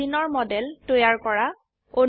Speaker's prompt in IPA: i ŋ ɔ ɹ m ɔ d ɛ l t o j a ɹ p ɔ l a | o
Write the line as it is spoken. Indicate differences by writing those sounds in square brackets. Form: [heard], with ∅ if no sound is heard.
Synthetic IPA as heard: i [n] ɔ ɹ m ɔ d ɛ l t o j a ɹ [k] ɔ [ɹ] a | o